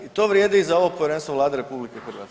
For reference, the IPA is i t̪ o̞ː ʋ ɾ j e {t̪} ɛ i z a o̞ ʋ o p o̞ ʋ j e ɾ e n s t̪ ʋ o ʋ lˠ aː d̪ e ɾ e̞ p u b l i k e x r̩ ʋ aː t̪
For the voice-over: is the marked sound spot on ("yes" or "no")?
no